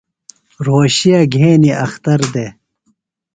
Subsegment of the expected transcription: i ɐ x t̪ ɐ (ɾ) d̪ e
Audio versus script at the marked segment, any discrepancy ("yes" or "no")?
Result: no